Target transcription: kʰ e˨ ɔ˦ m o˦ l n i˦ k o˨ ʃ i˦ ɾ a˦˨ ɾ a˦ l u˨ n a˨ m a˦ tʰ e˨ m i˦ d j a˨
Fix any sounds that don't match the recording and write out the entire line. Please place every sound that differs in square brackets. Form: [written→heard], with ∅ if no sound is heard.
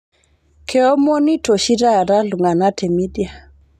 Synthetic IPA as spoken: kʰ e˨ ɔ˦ m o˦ [l→∅] n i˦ [k→t] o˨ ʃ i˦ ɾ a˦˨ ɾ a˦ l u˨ [n→ŋ] a˨ [m→n] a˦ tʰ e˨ m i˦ d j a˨